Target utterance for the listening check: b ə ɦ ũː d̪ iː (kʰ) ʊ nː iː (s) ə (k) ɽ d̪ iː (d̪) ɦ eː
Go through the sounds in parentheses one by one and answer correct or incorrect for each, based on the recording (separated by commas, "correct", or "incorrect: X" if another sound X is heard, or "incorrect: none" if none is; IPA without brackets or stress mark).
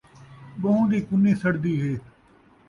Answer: incorrect: k, correct, incorrect: none, incorrect: none